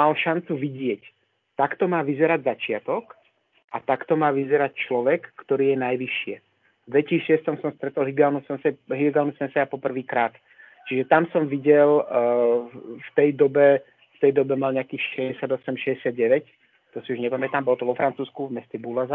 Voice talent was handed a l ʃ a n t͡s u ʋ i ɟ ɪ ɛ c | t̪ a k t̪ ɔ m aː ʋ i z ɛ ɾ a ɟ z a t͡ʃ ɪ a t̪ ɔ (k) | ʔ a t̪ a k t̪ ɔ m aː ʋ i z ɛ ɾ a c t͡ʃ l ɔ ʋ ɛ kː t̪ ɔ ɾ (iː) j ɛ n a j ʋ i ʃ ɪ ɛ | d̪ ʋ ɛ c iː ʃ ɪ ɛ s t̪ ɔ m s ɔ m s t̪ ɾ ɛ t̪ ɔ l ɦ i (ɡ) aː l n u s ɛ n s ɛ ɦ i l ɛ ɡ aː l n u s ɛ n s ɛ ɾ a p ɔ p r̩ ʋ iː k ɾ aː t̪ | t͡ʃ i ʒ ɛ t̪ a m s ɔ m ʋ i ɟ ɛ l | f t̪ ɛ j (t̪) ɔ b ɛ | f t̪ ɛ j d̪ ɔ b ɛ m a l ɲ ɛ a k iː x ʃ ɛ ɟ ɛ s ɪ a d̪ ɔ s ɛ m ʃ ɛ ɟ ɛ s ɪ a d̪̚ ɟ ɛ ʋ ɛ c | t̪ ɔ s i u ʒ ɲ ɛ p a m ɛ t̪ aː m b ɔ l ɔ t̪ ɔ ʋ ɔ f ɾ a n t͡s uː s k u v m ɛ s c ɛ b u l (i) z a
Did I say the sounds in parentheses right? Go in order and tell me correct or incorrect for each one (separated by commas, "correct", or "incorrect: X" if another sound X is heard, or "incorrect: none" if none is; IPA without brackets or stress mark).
correct, correct, correct, incorrect: d̪, incorrect: a